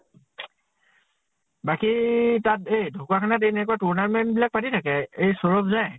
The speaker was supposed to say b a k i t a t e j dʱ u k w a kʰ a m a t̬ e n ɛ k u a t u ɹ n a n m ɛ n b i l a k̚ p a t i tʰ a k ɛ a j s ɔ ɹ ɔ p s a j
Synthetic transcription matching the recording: b a k i t a t e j dʱ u k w a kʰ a n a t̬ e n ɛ k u a t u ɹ n a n m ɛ n b i l a k̚ p a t i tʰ a k ɛ e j s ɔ ɹ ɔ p z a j